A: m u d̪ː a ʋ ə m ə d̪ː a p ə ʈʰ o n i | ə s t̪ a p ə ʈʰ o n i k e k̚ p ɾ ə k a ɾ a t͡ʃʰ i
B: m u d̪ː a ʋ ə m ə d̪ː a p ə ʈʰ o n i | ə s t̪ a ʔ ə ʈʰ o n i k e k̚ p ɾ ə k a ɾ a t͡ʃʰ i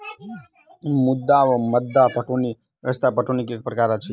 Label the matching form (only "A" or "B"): A